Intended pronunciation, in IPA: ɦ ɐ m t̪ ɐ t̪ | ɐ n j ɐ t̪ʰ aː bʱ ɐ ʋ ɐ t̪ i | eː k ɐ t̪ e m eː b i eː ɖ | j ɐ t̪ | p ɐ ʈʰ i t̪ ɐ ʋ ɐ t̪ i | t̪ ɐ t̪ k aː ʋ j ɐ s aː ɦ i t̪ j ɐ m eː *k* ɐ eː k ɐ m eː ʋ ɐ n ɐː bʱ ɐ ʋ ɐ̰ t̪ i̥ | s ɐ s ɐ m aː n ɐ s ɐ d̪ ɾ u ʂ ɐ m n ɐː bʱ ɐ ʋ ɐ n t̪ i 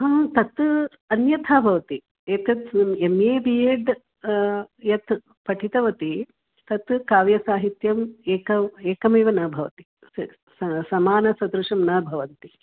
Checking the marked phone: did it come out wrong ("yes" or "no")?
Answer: no